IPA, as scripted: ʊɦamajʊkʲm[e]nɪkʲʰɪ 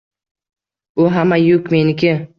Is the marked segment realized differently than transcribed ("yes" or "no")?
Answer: no